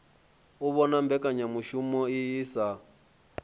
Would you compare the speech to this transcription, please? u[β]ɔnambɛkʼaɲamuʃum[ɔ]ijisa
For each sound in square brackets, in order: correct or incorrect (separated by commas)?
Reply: correct, correct